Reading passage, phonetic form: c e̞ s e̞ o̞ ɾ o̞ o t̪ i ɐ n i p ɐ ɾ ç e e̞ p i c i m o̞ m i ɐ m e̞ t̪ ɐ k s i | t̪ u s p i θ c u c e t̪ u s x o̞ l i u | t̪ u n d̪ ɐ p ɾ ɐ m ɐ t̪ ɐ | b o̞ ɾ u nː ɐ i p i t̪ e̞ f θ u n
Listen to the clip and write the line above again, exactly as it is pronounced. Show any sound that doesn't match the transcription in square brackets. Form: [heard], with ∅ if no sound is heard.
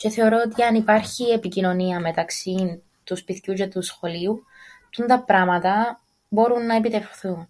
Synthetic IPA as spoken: c e̞ [θ] e̞ o̞ ɾ o̞ o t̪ i ɐ n i p ɐ ɾ ç [i] e̞ p i c i [n] o̞ [n] i ɐ m e̞ t̪ ɐ k s i | t̪ u s p i θ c u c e t̪ u s x o̞ l i u | t̪ u n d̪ ɐ p ɾ ɐ m ɐ t̪ ɐ | b o̞ ɾ u nː ɐ [e] p i t̪ e̞ f θ u n